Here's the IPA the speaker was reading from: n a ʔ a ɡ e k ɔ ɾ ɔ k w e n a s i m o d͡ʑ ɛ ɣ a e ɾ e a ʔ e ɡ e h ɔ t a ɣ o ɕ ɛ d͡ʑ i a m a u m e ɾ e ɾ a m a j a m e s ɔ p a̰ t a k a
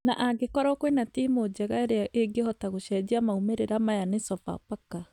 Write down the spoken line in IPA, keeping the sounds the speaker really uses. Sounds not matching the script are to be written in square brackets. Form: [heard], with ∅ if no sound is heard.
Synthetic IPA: n a ʔ a ɡ e k ɔ ɾ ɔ k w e n a [t] i m o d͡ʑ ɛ ɣ a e ɾ e a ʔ e ɡ e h ɔ t a ɣ o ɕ ɛ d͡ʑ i a m a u m e ɾ e ɾ a m a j a [n] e s ɔ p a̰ [p] a k a